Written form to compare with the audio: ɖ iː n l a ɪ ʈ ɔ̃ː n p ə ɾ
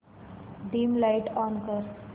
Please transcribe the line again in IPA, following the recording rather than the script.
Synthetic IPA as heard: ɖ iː m l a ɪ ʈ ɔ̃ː n k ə ɾ